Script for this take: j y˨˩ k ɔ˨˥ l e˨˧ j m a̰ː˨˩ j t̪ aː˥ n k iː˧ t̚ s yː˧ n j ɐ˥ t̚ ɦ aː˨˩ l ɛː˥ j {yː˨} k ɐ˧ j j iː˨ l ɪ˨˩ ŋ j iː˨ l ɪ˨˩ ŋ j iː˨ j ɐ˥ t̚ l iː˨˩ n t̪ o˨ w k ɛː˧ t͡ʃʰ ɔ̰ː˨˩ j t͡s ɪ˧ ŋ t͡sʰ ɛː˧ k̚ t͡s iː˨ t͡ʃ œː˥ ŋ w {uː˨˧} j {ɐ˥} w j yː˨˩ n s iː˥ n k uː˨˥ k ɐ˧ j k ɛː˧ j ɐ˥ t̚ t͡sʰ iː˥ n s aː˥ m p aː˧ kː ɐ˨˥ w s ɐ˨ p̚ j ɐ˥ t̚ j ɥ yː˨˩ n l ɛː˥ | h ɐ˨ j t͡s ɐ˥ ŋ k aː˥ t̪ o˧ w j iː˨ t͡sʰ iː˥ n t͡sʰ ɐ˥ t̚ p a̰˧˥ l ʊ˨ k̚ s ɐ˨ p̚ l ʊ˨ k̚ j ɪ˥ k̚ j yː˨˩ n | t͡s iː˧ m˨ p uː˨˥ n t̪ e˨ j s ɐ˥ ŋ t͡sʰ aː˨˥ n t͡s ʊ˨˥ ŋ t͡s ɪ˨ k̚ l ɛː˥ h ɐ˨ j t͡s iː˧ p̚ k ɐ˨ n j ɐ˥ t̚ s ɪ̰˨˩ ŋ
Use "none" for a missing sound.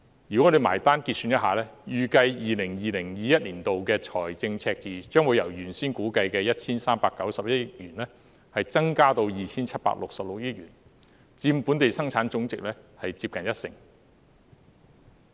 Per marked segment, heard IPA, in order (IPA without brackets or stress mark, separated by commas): yː˨, u˨˧, ɐ˨˩